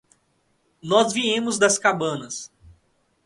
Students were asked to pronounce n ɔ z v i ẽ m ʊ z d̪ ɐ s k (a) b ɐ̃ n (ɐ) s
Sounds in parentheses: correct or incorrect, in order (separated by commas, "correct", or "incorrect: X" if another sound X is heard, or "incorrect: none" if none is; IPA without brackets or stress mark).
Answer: correct, correct